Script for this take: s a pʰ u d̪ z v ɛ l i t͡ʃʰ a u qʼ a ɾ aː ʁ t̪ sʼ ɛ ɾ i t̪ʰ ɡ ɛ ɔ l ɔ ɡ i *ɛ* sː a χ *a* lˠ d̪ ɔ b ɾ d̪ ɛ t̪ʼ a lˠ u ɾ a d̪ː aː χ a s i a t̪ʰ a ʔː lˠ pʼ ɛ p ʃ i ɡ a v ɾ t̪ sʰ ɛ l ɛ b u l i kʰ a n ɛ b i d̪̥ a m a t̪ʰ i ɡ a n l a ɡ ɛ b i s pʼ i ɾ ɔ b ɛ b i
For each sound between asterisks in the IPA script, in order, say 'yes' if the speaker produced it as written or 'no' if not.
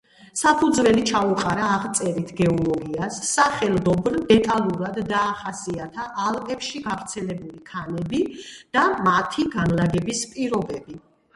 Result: no, no

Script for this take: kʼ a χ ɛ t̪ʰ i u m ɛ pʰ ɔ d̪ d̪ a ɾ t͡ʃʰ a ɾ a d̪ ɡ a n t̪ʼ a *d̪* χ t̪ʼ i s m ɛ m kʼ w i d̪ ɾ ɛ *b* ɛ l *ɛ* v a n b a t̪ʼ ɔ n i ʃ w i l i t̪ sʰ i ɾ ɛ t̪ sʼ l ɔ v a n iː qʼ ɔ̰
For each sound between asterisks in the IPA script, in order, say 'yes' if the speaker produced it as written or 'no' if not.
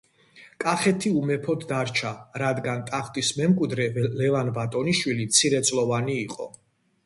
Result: no, no, yes

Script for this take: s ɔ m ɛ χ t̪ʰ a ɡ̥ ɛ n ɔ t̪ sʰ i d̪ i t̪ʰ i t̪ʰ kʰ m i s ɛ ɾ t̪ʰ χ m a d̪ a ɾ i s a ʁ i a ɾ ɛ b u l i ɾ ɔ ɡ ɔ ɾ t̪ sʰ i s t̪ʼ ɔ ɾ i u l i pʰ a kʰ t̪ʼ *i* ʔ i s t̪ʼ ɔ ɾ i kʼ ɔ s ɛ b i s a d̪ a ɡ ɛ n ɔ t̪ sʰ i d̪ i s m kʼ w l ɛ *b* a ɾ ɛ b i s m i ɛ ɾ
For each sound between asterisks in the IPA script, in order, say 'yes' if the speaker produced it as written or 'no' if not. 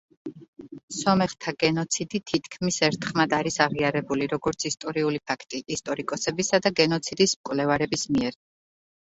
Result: yes, no

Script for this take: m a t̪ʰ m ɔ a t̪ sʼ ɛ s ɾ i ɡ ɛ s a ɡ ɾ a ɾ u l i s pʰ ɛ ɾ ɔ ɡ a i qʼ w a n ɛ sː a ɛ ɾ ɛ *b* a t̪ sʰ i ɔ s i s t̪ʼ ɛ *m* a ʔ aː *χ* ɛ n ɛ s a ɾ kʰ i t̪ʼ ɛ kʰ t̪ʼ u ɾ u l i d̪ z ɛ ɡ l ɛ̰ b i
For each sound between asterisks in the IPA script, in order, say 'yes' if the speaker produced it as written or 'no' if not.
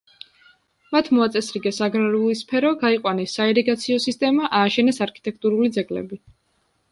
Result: no, yes, no

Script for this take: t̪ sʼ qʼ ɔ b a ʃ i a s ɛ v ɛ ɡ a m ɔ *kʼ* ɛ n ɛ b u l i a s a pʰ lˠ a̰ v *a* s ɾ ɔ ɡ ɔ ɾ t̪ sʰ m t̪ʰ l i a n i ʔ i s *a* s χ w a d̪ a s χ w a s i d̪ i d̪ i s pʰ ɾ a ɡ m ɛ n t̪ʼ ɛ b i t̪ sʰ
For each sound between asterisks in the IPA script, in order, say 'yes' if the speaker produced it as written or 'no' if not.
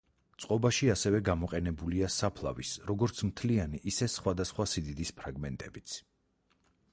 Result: no, no, no

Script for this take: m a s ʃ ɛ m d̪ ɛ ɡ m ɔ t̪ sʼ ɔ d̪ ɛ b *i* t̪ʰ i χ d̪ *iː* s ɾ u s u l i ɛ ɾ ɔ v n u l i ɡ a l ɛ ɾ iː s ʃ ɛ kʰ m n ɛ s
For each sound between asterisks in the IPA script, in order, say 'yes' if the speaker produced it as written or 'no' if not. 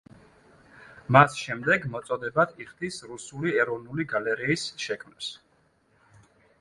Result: no, no

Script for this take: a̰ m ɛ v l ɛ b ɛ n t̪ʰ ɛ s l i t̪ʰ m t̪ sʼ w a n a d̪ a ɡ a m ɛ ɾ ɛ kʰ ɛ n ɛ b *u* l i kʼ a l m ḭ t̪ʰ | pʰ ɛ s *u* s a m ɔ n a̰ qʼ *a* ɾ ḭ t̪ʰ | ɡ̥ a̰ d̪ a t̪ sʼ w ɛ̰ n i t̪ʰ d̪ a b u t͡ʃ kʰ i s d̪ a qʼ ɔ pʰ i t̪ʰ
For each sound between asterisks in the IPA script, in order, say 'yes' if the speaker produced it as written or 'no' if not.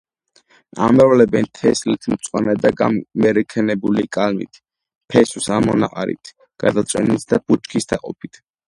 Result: yes, yes, yes

